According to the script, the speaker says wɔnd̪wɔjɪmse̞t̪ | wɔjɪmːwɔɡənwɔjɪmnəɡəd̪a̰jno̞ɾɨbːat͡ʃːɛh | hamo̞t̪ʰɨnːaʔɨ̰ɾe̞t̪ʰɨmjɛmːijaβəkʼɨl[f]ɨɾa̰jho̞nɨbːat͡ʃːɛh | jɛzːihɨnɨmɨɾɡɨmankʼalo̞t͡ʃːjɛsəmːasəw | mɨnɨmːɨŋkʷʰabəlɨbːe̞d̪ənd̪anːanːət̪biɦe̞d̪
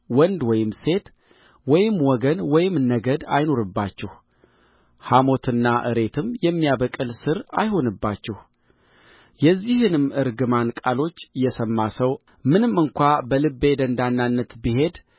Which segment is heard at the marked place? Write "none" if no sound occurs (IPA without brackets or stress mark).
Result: s